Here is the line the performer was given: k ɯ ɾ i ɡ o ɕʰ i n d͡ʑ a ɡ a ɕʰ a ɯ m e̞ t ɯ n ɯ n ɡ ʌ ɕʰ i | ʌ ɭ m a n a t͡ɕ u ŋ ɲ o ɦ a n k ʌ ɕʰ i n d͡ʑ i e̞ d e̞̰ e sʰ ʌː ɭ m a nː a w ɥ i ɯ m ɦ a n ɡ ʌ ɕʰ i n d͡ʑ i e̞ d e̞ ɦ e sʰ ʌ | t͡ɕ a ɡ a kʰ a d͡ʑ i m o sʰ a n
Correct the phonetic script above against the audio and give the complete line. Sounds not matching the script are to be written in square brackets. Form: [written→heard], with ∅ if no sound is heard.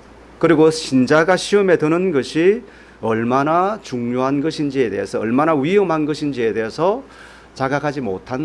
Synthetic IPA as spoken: k ɯ ɾ i ɡ o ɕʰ i n d͡ʑ a ɡ a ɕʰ [a→i] ɯ m e̞ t ɯ n ɯ n ɡ ʌ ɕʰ i | ʌ ɭ m a n a t͡ɕ u ŋ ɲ o ɦ a n [k→ɡ] ʌ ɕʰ i n d͡ʑ i e̞ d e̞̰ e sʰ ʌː ɭ m a [nː→n] a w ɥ i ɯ m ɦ a n ɡ ʌ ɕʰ i n d͡ʑ i e̞ d e̞ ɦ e sʰ ʌ | t͡ɕ a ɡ a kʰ a d͡ʑ i m o [sʰ→tʰ] a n